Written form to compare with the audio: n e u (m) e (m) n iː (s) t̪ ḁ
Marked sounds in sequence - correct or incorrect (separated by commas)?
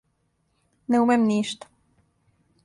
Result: correct, correct, incorrect